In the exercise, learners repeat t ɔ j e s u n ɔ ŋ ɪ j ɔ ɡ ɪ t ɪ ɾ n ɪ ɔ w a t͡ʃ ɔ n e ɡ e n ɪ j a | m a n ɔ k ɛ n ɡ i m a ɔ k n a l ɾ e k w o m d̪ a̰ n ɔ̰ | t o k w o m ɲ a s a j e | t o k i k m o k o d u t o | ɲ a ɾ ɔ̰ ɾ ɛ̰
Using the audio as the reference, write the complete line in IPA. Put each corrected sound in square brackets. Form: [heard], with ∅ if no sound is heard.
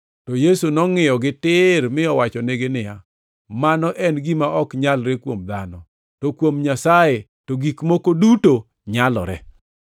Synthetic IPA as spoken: t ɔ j e s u n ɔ ŋ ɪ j ɔ ɡ ɪ t ɪ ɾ [m] ɪ ɔ w a t͡ʃ ɔ n e ɡ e n ɪ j a | m a n ɔ [ʔ] ɛ n ɡ i m a ɔ k [ɲ] a l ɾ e k w o m d̪ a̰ n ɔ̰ | t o k w o m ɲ a s a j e | t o [ɡ] i k m o k o d u t o | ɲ a [l] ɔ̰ ɾ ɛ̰